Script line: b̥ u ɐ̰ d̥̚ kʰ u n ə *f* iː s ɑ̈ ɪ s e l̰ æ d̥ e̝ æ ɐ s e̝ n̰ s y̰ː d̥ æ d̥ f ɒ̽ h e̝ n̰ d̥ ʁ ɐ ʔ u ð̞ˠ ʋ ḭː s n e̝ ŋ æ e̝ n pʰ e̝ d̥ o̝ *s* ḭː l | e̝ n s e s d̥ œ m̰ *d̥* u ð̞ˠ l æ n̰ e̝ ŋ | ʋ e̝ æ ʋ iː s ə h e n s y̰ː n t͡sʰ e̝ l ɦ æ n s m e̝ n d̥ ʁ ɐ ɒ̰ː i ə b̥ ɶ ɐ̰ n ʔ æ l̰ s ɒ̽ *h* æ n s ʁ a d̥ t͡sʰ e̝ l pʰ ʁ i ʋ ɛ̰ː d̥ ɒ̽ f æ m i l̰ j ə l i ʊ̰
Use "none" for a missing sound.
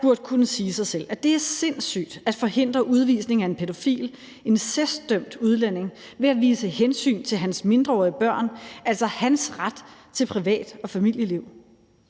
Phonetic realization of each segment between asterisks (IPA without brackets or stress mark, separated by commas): s, f, d̥, h